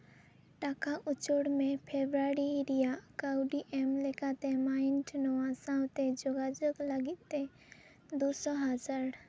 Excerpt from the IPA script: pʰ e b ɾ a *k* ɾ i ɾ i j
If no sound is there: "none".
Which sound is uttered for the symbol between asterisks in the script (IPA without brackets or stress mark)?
none